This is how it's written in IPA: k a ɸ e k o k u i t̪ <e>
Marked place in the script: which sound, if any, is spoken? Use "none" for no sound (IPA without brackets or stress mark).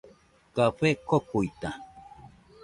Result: a